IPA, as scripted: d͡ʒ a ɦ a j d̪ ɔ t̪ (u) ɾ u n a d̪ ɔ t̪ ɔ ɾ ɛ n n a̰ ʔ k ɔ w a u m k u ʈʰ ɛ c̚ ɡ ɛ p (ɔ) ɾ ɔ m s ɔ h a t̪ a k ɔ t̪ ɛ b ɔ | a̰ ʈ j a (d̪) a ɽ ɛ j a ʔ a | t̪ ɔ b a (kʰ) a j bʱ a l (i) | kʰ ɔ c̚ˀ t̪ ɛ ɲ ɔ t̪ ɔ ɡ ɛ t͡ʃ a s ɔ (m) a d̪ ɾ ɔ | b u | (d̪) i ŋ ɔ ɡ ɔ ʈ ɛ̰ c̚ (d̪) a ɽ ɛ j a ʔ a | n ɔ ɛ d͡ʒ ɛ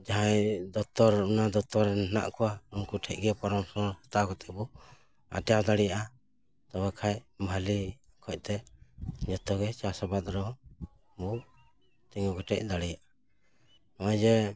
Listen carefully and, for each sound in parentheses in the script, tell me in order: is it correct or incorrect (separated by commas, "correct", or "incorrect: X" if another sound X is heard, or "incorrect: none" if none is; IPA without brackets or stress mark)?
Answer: incorrect: ɔ, correct, correct, correct, correct, incorrect: b, incorrect: t̪, correct